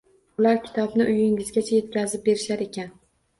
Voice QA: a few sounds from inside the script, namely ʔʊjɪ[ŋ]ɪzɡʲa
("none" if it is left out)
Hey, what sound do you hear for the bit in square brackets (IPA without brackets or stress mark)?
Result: ŋ